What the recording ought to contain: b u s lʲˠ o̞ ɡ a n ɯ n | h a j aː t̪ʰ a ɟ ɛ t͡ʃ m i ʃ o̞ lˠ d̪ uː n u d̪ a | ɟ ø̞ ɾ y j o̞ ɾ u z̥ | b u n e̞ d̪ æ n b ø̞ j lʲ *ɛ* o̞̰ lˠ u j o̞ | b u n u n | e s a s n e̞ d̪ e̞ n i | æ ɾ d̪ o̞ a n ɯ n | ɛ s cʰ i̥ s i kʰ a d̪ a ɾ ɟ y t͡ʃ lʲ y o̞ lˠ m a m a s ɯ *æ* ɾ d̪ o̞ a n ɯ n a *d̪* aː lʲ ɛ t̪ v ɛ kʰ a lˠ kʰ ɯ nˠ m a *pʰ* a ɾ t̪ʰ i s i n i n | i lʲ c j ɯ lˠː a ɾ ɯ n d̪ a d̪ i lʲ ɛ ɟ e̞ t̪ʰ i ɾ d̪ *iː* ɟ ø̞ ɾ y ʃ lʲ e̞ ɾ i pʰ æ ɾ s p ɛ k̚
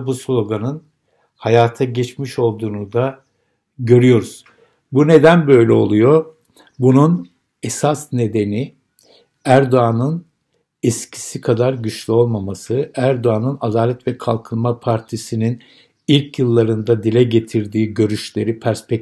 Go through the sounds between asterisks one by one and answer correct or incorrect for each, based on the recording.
correct, correct, correct, correct, correct

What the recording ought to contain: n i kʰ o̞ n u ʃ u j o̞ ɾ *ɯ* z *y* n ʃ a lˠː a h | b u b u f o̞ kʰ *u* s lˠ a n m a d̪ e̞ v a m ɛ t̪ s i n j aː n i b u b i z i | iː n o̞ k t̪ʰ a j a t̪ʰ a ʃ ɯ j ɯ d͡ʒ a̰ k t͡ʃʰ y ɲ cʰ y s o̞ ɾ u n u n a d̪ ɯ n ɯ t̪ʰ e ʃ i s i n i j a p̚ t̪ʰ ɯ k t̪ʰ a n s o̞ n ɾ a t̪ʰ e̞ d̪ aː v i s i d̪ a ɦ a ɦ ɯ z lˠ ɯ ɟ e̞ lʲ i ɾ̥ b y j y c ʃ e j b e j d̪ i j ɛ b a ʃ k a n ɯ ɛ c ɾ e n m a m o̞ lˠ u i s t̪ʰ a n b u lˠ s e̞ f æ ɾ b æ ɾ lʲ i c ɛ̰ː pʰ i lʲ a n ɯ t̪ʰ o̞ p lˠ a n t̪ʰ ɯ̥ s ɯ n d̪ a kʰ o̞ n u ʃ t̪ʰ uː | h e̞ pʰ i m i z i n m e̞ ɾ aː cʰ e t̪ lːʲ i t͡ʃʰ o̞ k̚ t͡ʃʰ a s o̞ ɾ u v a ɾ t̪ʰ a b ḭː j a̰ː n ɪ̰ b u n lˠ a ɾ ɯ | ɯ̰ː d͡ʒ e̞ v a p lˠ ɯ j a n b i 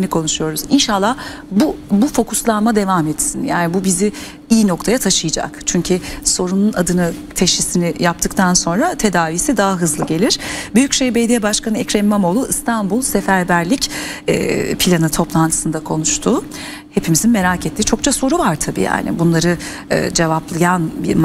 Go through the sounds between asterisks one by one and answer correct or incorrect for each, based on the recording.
incorrect, incorrect, correct

